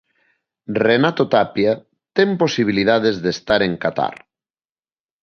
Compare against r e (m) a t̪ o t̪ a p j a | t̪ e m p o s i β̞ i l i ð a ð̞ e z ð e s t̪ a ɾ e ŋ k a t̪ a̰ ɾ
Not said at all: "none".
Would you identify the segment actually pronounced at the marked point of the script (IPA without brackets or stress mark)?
n